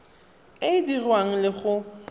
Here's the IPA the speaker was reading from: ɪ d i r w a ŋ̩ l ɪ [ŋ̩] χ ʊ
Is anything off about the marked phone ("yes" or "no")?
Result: yes